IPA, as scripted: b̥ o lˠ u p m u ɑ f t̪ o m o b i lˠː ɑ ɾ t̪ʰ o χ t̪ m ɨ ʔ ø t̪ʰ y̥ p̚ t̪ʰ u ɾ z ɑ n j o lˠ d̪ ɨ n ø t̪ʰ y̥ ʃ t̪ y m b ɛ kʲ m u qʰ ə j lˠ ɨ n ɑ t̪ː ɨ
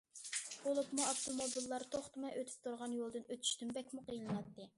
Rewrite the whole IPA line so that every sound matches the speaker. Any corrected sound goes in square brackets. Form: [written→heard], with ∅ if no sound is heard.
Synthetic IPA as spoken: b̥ o lˠ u p m u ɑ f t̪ o m o b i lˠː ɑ ɾ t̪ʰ o χ t̪ m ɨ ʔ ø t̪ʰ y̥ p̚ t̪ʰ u ɾ [z→ʁ] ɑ n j o lˠ d̪ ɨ n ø t̪ʰ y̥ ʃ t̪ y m b ɛ kʲ m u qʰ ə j lˠ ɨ n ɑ t̪ː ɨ